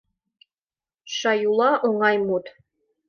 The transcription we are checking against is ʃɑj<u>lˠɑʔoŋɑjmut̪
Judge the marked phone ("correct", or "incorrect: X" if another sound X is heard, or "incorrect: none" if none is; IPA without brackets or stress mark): correct